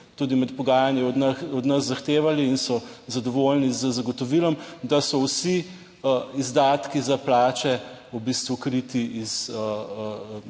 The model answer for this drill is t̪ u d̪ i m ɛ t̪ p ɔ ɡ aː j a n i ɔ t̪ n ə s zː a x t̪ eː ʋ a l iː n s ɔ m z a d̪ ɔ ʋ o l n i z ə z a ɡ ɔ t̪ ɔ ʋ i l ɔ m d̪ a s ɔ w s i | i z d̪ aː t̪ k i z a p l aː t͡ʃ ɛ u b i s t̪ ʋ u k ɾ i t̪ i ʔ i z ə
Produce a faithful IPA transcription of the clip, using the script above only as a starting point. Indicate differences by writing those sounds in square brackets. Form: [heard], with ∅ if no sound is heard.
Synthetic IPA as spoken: t̪ u d̪ i m ɛ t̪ p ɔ ɡ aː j a n i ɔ [d̪] n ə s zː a x t̪ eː ʋ a l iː n s ɔ [∅] z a d̪ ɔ ʋ o l n i z ə z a ɡ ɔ t̪ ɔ ʋ i l ɔ m d̪ a s ɔ w s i | i z d̪ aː t̪ k i z a p l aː t͡ʃ ɛ u b i s t̪ ʋ u k ɾ i t̪ i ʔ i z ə